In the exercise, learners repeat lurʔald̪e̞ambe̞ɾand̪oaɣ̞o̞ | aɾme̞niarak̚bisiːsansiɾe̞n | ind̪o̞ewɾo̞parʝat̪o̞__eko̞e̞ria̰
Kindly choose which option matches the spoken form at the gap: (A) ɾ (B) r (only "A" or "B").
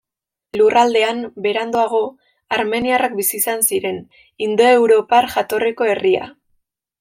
B